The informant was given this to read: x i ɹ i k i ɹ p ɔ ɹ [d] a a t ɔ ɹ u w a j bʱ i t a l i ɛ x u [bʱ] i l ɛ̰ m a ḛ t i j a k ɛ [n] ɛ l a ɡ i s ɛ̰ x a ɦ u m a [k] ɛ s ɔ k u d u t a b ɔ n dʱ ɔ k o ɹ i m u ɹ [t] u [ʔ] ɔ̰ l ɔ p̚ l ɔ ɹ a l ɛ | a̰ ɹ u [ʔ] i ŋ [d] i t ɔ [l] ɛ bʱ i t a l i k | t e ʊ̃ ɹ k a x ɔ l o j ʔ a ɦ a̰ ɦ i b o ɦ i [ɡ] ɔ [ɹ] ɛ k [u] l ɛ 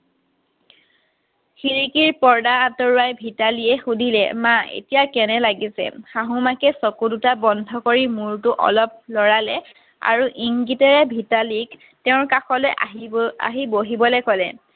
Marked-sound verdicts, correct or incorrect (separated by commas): correct, incorrect, correct, correct, correct, correct, correct, incorrect, incorrect, incorrect, incorrect, incorrect